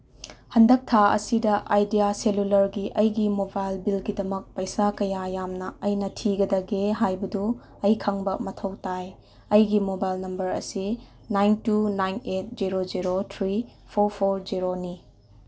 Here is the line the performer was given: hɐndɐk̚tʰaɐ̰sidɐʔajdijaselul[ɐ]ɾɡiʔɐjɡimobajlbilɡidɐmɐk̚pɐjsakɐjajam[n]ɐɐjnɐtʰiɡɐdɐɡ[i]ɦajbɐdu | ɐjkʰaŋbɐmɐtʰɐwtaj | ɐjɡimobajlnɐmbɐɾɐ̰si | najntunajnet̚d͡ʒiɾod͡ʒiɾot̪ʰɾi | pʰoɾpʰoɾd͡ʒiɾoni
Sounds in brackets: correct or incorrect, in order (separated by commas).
correct, correct, incorrect